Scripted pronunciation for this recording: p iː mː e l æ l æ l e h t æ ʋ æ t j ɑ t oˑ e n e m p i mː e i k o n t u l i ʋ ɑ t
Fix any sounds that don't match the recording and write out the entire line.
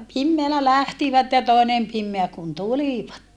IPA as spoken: p i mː e æ l æ l æ h t i ʋ æ t j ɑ t oˑ e n e m p i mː e æ k u n t u l i ʋ ɑ t